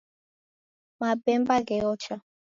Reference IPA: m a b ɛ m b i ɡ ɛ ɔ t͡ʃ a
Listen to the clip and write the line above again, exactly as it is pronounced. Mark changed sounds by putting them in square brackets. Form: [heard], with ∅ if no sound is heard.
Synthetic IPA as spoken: m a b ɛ m b [a] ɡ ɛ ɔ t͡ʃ a